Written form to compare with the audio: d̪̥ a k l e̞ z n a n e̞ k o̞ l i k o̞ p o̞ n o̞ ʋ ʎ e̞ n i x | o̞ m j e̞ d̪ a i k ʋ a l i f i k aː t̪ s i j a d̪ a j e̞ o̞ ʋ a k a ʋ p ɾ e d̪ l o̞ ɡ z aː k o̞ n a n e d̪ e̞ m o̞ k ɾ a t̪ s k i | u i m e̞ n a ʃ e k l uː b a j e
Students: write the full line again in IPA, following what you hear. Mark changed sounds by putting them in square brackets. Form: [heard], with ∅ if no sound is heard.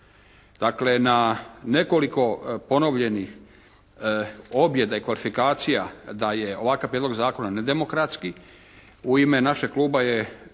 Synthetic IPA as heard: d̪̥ a k l e̞ [∅] n a n e̞ k o̞ l i k o̞ p o̞ n o̞ ʋ ʎ e̞ n i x | o̞ [b] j e̞ d̪ a i k ʋ a l i f i k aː t̪ s i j a d̪ a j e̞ o̞ ʋ a k a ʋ p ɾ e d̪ l o̞ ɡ z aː k o̞ n a n e d̪ e̞ m o̞ k ɾ a t̪ s k i | u i m e̞ n a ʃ e k l uː b a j e